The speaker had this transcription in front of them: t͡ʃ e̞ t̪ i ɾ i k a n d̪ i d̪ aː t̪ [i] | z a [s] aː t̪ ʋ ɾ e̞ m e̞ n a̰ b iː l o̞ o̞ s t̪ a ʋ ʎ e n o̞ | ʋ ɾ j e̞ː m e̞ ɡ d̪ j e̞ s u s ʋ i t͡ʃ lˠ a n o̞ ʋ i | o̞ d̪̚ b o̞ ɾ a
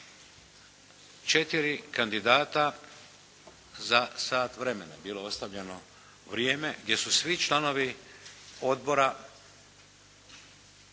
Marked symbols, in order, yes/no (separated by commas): no, yes